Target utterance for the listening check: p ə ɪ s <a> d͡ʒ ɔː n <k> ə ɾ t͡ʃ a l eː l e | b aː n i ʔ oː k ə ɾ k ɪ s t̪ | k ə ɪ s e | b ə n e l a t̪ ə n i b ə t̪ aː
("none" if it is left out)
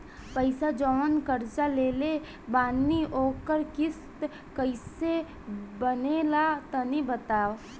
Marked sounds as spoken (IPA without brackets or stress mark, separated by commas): a, k